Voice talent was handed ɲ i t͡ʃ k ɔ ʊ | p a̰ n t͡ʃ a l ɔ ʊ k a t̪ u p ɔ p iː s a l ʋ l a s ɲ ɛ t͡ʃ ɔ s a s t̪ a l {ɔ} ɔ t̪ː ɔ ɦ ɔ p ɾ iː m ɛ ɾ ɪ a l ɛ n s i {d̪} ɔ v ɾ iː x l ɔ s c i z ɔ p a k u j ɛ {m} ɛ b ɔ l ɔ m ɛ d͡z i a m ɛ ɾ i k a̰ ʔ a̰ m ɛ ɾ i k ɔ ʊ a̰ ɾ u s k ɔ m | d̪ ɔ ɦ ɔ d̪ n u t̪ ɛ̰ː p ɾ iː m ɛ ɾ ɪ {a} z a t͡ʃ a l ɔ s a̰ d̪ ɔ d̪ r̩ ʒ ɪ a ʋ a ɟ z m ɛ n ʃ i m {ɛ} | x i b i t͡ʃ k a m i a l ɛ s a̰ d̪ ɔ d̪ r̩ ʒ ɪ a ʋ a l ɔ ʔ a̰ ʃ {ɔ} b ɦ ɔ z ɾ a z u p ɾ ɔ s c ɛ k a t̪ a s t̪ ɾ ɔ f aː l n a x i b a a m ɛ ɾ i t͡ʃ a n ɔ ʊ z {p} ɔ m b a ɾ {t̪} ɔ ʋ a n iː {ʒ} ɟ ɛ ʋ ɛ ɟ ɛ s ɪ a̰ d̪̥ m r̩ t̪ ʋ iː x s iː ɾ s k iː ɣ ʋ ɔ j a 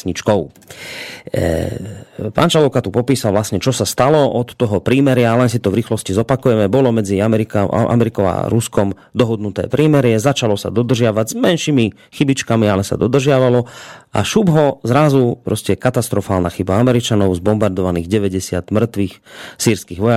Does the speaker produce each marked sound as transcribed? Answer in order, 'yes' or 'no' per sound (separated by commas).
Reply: yes, no, yes, no, no, no, no, no, no